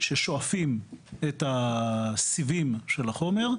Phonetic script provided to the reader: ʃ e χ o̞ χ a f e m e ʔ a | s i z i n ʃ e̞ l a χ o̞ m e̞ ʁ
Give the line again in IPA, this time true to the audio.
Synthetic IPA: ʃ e ʃ o̞ a f i m e t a | s i v i m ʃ e̞ l a χ o̞ m e̞ ʁ

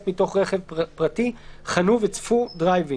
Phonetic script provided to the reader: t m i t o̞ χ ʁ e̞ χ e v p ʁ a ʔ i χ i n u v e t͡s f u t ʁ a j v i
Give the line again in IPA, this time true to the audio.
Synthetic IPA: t m i t o̞ χ ʁ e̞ χ e v p ʁ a t i χ a n u v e t͡s f u d ʁ a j v i

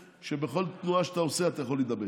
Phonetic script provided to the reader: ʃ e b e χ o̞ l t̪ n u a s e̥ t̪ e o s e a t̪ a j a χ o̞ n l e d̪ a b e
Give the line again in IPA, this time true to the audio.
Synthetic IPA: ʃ e b e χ o̞ l t̪ n u a ʃ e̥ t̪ a o s e a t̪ a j a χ o̞ l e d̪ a b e

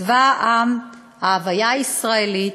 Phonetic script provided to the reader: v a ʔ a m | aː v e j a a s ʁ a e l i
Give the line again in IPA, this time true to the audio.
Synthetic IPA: v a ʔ a m | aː v a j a i s ʁ a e l i

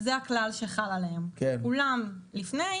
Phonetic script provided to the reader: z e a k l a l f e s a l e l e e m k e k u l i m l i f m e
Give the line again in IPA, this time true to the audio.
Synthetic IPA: z e a k l a l ʃ e χ a l a l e e m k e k u l a m l i f n e

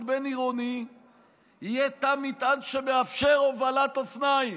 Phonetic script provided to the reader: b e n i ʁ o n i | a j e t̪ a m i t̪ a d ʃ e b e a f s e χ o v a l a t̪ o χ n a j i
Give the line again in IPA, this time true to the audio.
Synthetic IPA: b e n i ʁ o n i | i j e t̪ a m i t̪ a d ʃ e b e a f ʃ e ʁ o v a l a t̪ o f n a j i

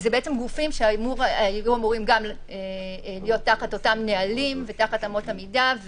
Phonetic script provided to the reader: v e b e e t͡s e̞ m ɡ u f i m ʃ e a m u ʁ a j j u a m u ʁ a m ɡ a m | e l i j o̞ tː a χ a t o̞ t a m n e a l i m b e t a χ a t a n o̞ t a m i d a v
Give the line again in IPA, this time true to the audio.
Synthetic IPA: z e b e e t͡s e̞ m ɡ u f i m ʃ e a m u ʁ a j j u a m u ʁ i m ɡ a m | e l i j o̞ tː a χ a t o̞ t a m n e a l i m v e t a χ a t a m o̞ t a m i d a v

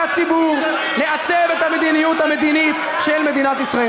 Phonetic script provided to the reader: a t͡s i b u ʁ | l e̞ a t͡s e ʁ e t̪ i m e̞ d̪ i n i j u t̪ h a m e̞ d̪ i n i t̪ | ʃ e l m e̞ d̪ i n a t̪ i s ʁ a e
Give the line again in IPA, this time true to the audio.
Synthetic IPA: a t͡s i b u ʁ | l e̞ a t͡s e v e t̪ a m e̞ d̪ i n i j u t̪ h a m e̞ d̪ i n i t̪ | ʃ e l m e̞ d̪ i n a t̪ i s ʁ a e

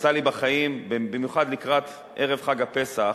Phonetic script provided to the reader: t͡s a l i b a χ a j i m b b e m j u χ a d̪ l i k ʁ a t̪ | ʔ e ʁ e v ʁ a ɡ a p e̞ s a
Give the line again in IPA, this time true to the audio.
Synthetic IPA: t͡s a l i b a χ a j i m b b i m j u χ a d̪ l i k ʁ a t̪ | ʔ e ʁ e v χ a ɡ a p e̞ s a

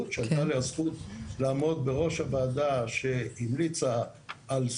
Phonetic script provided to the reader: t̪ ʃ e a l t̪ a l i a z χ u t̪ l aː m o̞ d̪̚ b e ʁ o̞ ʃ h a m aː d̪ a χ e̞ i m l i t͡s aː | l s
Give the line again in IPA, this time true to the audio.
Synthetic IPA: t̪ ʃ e a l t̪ a l e a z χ u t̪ l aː m o̞ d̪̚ b e ʁ o̞ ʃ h a b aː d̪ a ʃ e̞ i m l i t͡s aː | l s

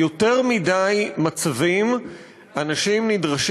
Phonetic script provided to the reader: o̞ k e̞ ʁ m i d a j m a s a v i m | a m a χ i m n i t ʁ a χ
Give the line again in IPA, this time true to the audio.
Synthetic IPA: o̞ t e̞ ʁ m i d a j m a t͡s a v i m | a n a ʃ i m n i d ʁ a ʃ

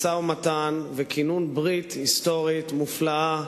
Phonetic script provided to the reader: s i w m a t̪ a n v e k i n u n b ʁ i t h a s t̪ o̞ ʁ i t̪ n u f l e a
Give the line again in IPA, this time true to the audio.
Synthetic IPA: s a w m a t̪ a n v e k i n u n b ʁ i t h i s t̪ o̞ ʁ i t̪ m u f l a a

